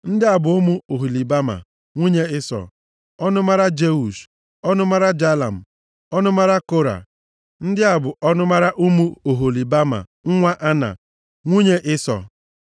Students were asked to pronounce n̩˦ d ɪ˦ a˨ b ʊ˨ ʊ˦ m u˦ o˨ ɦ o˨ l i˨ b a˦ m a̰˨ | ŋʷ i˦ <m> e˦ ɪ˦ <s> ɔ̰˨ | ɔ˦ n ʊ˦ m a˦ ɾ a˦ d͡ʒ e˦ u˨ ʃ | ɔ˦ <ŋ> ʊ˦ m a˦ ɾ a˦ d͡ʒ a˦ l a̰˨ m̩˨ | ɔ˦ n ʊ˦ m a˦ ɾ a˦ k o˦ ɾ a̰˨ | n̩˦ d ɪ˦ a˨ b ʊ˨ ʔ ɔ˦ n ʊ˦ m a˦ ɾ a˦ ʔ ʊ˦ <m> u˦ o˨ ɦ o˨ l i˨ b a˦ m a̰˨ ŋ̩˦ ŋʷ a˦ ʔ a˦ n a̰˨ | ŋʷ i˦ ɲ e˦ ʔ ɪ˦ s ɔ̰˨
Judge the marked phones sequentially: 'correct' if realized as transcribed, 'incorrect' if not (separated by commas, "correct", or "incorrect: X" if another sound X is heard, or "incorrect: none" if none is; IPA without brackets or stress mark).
incorrect: ɲ, correct, incorrect: n, correct